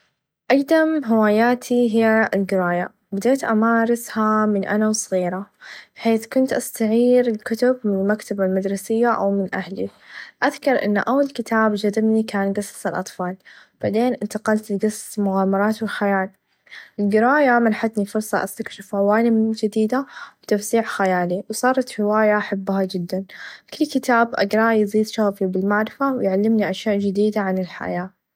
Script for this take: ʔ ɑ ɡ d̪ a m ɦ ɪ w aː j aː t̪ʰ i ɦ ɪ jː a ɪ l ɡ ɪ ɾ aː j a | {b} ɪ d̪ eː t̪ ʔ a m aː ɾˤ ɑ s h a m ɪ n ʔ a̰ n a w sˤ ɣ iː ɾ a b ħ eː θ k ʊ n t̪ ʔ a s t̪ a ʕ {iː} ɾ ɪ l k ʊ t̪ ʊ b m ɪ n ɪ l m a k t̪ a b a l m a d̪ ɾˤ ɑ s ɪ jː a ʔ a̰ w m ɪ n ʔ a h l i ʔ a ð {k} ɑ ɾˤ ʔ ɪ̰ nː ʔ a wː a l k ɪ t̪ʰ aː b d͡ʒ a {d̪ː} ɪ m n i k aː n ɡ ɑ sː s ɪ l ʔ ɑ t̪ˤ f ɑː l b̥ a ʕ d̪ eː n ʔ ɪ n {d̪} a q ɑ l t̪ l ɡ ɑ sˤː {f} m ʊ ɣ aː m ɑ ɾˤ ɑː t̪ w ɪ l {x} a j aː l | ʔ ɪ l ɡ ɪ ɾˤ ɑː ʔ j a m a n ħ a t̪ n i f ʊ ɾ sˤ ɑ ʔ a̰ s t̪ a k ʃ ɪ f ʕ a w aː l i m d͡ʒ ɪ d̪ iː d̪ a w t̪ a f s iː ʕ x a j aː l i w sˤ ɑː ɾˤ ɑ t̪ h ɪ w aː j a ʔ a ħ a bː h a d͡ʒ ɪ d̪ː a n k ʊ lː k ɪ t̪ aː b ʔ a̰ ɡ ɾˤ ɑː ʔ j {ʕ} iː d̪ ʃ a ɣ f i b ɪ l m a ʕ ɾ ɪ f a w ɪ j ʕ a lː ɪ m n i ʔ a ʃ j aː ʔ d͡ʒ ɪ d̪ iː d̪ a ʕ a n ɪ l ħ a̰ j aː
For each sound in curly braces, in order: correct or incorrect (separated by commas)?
correct, correct, correct, incorrect, incorrect, incorrect, correct, incorrect